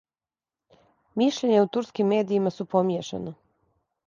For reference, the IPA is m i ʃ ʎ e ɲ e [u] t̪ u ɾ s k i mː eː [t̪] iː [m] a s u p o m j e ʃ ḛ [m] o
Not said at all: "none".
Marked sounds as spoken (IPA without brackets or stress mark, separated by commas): u, d̪, m, n